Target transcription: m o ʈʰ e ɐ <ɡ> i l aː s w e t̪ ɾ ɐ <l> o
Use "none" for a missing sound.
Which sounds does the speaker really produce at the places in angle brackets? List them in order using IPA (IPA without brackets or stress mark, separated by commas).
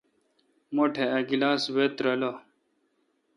ɡ, l